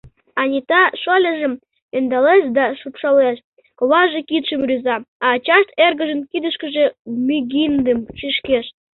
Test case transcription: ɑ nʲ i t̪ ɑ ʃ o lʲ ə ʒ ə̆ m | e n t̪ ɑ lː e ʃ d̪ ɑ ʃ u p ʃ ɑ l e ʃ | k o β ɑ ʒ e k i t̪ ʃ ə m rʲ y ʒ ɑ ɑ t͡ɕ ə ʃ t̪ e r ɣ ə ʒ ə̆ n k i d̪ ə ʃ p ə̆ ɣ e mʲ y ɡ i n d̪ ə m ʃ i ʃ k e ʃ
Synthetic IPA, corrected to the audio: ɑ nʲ i t̪ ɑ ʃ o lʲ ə ʒ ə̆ m | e n d̪ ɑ l e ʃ d̪ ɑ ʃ u p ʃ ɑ l e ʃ | k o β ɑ ʒ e k i t̪ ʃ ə m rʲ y z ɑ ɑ t͡ɕ ɑ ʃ t̪ e r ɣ ə ʒ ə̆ n k i d̪ ə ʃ k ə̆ ʒ e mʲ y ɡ i n d̪ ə m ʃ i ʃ k e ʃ